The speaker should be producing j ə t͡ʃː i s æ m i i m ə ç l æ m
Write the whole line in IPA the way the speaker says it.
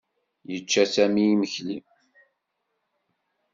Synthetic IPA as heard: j ə t͡ʃː æ s æ m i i m ə ç l i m